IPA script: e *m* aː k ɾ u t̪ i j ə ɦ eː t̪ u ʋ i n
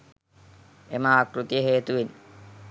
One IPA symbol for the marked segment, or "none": m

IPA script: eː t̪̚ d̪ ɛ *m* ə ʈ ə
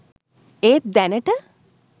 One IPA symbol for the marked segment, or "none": n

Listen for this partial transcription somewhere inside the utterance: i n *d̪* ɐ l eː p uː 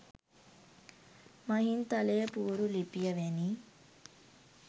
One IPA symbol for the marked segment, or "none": t̪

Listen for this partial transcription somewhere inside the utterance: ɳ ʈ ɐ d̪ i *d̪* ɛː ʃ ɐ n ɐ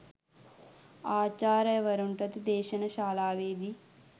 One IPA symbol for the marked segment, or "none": d̪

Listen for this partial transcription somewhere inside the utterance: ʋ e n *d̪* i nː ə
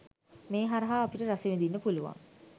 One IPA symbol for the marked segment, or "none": d̪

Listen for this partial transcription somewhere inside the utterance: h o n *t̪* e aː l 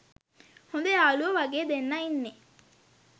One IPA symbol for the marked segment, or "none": d̪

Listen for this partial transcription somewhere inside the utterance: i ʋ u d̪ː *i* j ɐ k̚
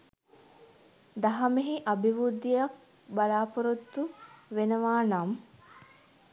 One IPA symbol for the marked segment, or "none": i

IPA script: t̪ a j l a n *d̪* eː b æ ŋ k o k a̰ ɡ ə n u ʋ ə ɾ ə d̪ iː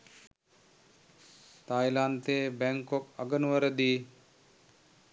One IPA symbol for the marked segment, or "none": t̪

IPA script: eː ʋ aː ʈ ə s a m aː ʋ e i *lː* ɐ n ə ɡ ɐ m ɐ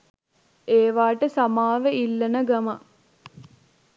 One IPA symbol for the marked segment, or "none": lː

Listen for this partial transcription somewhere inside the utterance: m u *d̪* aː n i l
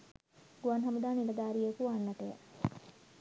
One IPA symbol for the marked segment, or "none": d̪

